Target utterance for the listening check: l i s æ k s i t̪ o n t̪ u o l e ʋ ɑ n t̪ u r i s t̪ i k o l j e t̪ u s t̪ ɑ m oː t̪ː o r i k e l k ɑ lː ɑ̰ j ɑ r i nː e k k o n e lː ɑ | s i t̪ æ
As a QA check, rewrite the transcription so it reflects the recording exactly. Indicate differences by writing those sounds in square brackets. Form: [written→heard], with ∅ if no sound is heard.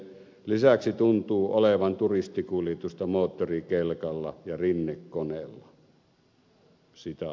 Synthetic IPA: l i s æ k s i t̪ [o→u] n t̪ [u→uː] o l e ʋ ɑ n t̪ u r i s t̪ i k [o→u] l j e t̪ u s t̪ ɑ m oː t̪ː o r i k e l k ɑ lː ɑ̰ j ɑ r i nː e k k o n e lː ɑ | s i t̪ æ